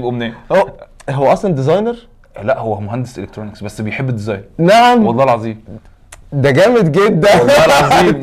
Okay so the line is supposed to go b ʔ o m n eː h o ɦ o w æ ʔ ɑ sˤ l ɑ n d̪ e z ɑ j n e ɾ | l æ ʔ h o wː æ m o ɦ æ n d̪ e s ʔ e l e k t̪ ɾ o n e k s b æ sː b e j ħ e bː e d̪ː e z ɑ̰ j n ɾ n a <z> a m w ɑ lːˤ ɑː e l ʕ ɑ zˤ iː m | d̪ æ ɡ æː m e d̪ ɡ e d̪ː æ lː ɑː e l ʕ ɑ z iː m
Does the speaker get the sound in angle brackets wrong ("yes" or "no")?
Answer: yes